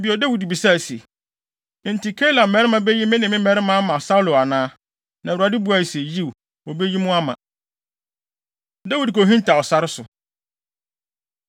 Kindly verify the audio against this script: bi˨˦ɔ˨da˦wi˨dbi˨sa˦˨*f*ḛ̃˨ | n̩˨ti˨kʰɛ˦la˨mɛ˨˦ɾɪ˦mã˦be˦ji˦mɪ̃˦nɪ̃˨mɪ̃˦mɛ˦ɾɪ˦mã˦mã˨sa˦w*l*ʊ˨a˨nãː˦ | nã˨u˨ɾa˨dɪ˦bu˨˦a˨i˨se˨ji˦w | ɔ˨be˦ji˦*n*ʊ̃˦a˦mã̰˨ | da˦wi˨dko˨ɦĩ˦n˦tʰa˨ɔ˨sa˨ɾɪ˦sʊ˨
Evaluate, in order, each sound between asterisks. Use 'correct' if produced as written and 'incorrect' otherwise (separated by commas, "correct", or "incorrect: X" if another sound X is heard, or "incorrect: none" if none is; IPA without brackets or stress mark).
incorrect: s, correct, incorrect: m